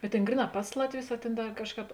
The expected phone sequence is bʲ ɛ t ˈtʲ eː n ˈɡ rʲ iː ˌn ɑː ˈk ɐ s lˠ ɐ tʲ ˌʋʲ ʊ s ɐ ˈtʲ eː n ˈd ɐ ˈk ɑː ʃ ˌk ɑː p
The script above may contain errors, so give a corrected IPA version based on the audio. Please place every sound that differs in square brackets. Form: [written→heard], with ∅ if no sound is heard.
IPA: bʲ ɛ t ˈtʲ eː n ˈɡ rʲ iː ˌn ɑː [ˈk→ˈp] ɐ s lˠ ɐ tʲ ˌʋʲ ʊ s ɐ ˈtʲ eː n ˈd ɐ ˈk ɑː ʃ ˌk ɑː p